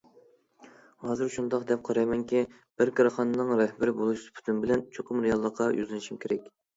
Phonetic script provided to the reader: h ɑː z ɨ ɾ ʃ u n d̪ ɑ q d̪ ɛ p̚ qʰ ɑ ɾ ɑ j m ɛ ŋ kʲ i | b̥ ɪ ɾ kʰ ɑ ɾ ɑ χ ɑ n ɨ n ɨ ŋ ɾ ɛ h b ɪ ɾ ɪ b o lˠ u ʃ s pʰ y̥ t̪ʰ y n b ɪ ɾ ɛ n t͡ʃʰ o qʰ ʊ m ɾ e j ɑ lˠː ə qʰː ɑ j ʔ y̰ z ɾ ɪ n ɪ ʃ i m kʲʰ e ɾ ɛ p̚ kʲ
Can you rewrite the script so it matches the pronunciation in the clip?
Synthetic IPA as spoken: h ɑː z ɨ ɾ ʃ u n d̪ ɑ q d̪ ɛ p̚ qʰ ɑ ɾ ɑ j m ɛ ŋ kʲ i | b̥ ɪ ɾ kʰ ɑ ɾ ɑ χ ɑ n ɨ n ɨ ŋ ɾ ɛ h b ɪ ɾ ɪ b o lˠ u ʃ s pʰ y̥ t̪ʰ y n b ɪ l ɛ n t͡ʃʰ o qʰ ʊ m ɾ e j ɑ lˠː ə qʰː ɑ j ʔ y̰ z l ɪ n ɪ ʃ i m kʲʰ e ɾ ɛ kʲ